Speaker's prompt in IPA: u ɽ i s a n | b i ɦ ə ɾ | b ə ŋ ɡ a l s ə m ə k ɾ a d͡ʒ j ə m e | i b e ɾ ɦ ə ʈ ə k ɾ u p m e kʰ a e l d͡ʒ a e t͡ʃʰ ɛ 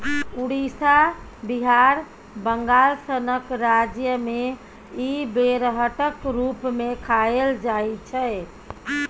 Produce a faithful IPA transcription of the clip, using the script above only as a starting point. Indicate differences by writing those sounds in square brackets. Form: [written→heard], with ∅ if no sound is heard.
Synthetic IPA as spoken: u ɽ i s a [n→∅] | b i ɦ [ə→a] ɾ | b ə ŋ ɡ a l s ə [m→n] ə k ɾ a d͡ʒ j ə m e | i b e ɾ ɦ ə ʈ ə k ɾ u p m e kʰ a e l d͡ʒ a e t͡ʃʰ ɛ

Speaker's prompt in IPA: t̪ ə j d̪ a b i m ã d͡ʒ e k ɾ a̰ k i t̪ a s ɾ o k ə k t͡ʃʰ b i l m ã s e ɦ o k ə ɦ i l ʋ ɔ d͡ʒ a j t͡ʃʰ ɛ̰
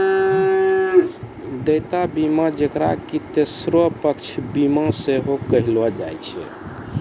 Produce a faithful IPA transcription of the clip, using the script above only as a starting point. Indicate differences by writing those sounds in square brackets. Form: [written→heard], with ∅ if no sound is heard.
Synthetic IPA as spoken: [t̪→d̪] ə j [d̪→t̪] a b i m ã d͡ʒ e k ɾ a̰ k i t̪ [a→e] s ɾ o [k→p] ə k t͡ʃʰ b i [l→∅] m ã s e ɦ o k ə ɦ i l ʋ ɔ d͡ʒ a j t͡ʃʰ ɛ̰

